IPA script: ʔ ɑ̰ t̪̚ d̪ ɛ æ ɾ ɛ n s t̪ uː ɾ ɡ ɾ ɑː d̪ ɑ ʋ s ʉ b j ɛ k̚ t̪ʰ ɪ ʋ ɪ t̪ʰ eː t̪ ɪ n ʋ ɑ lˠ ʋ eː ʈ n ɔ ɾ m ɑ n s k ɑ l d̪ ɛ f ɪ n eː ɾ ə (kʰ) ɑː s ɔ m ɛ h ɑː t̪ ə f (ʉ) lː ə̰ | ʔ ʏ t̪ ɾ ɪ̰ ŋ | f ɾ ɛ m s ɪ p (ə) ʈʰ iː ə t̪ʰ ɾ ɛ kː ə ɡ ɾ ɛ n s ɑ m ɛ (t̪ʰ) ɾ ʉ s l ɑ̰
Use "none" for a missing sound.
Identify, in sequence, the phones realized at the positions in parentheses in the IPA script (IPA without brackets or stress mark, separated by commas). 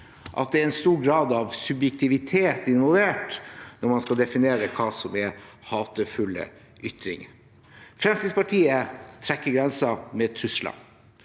kʰ, ʉ, ɑ, t̪ʰ